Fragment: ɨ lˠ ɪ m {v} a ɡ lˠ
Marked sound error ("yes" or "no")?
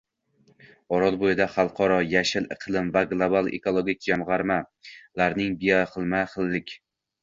no